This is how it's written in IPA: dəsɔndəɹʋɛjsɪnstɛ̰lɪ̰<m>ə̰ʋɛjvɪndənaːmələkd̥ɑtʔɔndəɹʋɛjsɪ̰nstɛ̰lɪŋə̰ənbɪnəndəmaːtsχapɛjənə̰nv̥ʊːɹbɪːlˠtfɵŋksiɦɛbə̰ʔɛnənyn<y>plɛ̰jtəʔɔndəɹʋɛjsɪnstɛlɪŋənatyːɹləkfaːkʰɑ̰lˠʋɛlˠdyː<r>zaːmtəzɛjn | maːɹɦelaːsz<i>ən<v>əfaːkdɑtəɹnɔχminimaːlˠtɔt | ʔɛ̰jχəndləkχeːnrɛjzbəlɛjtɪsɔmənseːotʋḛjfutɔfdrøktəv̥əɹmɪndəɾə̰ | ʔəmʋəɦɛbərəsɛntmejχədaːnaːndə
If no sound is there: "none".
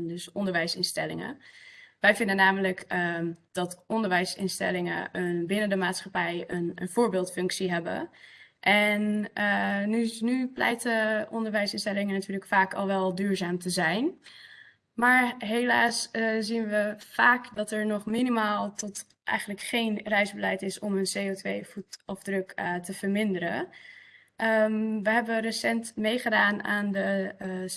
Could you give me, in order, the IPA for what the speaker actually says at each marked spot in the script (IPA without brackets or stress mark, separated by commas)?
ŋ, y, ɹ, i, ʋ